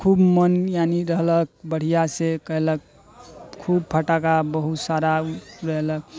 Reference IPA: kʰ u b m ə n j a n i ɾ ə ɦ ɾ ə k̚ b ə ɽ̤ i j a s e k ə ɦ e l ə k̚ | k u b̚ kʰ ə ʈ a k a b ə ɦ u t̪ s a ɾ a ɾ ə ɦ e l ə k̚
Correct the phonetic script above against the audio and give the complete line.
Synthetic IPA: kʰ u b m ə n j a n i ɾ ə ɦ l ə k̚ b ə ɽ̤ i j a s e k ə ɦ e l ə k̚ | kʰ u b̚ pʰ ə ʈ a k a b ə ɦ u t̪ s a ɾ a ɾ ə ɦ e l ə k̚